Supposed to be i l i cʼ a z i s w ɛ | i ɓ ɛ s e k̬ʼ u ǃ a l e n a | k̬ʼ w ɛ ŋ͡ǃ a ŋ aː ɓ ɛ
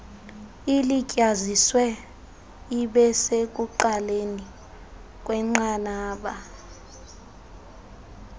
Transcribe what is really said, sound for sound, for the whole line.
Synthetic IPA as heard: i l i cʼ a z i s w ɛ | i ɓ ɛ s e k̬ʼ u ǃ a l e n i | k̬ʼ w ɛ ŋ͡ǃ a n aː ɓ a